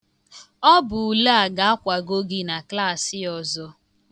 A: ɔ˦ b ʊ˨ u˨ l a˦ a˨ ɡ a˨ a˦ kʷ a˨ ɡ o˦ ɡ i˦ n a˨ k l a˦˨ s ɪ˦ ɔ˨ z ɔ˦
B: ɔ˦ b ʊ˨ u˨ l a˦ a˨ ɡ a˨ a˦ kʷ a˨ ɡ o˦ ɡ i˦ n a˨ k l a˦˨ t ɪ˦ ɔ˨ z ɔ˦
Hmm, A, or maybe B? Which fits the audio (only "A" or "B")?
A